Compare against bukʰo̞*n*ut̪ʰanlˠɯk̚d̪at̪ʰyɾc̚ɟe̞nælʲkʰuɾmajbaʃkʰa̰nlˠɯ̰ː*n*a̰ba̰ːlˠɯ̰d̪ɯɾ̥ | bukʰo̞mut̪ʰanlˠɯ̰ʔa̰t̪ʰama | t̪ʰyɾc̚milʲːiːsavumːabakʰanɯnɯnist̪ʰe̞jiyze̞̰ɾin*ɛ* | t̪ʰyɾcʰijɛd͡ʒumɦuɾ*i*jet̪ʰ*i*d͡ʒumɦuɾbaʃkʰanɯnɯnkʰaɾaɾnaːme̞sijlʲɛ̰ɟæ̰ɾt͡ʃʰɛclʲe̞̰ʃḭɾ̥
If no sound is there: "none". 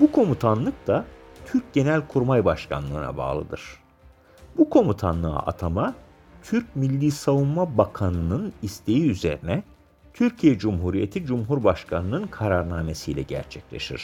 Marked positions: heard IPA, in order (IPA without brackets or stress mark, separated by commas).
m, n, ɛ, i, i